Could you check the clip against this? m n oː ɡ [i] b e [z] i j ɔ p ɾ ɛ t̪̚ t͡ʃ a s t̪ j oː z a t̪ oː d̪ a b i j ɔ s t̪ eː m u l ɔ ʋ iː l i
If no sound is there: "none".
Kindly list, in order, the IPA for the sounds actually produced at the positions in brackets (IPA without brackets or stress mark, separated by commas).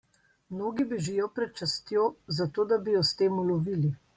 i, ʒ